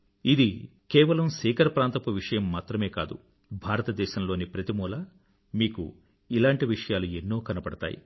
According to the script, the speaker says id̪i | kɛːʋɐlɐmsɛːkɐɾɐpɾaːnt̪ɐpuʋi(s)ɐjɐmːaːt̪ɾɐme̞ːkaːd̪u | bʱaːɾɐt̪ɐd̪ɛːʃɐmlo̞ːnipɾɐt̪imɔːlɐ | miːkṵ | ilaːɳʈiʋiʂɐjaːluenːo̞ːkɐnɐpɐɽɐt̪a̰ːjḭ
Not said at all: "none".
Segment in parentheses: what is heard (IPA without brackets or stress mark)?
ʂ